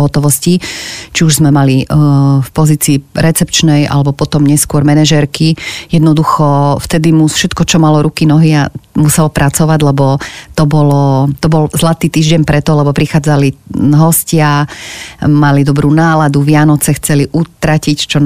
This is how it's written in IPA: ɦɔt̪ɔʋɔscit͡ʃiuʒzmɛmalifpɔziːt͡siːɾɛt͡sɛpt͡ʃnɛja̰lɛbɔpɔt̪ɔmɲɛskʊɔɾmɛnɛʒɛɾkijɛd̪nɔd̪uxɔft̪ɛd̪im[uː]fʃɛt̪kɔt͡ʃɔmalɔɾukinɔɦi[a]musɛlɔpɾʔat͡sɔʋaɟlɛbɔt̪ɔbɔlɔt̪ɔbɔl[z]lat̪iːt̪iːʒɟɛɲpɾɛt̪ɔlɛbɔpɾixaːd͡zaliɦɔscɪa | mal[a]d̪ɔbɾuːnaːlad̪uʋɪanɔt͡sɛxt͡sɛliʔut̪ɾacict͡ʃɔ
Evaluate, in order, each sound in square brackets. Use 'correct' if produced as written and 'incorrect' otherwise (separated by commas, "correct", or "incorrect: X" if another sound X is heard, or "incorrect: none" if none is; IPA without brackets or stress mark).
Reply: incorrect: u, correct, correct, incorrect: i